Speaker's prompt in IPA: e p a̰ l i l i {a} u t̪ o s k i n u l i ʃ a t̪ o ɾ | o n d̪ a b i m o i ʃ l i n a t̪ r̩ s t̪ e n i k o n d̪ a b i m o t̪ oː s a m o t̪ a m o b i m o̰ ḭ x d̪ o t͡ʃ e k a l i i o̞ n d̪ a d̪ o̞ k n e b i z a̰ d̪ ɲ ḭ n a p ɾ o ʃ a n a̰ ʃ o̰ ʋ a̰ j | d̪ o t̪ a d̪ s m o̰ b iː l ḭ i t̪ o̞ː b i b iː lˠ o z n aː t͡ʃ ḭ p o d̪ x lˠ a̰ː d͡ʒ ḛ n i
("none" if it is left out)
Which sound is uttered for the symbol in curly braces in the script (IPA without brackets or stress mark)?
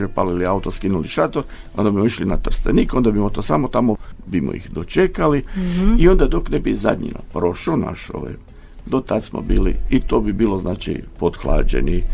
a